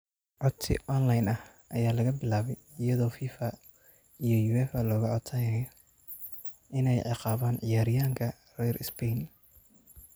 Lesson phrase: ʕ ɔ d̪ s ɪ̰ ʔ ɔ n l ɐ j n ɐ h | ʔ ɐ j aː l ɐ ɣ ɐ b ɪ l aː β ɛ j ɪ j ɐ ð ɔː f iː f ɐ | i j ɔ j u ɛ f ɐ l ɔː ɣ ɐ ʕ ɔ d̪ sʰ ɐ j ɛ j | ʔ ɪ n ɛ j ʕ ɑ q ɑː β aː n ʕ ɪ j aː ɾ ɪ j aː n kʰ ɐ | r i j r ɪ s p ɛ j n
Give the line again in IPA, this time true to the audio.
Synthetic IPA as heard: ʕ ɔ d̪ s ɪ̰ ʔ ɔ n l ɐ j n ɐ h | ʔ ɐ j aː l ɐ ɣ ɐ b ɪ l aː β ɛ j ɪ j ɐ ð ɔː f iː f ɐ | i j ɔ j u ɛ f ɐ l ɔː ɣ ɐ ʕ ɔ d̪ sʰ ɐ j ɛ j | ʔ ɪ n ɛ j ʕ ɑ q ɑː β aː n ʕ ɪ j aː ɾ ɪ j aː ŋ kʰ ɐ | r ɛ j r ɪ s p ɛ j n